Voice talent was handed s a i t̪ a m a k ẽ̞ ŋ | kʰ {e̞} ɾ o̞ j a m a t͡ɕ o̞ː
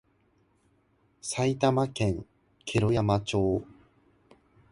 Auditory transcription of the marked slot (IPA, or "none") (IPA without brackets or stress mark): e̞